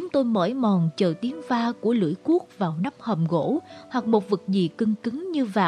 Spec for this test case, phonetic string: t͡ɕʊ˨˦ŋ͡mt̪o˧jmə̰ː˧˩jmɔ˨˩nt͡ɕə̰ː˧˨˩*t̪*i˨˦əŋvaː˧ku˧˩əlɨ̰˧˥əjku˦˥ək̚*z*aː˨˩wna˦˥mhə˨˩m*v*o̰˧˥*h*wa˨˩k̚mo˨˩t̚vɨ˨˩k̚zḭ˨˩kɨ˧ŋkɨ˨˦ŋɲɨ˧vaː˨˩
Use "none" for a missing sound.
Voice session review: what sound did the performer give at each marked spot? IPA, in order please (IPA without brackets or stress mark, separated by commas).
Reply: t̪, v, ɣ, h